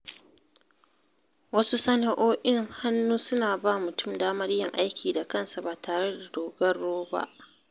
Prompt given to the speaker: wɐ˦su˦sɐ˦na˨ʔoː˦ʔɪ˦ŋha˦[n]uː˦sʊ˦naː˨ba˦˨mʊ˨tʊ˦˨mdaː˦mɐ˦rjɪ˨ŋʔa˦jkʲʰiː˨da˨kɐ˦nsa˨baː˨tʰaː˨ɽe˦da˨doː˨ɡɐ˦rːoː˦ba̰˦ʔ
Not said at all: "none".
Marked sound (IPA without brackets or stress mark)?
nː